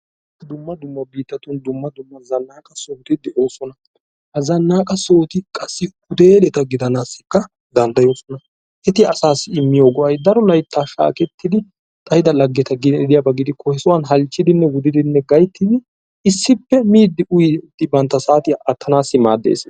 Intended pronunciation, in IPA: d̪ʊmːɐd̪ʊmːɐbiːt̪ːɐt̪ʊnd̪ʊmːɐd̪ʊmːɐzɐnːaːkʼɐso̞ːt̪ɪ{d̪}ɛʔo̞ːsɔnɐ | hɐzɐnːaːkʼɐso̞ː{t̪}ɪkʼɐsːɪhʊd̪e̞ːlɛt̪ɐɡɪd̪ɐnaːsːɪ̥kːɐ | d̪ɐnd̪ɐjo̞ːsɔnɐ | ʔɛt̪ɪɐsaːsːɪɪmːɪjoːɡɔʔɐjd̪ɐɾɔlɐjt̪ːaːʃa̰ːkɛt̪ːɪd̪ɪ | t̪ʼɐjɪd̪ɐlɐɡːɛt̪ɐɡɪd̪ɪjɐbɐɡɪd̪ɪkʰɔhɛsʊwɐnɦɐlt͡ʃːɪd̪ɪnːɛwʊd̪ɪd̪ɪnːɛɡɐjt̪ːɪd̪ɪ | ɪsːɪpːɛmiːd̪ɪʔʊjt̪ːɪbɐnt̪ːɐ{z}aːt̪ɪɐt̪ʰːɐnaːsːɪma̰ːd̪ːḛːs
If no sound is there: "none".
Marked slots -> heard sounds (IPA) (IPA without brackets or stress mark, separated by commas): d̪, t̪, s